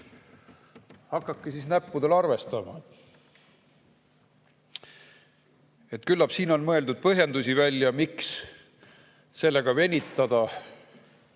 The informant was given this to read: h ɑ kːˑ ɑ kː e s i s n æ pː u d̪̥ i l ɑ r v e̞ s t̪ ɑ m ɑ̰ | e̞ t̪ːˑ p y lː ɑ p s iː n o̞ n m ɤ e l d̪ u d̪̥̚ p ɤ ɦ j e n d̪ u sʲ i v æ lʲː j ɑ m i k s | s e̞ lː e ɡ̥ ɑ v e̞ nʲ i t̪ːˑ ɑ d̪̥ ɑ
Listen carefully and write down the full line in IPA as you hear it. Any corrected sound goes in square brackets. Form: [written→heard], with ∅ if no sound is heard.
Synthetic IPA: h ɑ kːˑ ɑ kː e s i s n æ pː u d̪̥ [i→e] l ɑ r v e̞ s t̪ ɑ m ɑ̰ | e̞ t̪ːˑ [p→k] y lː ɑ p s iː n o̞ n m ɤ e l d̪ u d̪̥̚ p ɤ ɦ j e n d̪ u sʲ i v æ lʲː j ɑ m i k s | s e̞ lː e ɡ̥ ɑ v e̞ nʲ i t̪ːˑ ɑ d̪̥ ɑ